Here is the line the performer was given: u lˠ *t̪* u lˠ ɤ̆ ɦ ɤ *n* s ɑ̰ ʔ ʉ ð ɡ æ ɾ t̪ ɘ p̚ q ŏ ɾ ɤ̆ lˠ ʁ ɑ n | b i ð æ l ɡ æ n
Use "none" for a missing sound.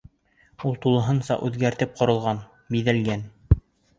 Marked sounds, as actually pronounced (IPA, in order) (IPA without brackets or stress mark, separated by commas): t̪, n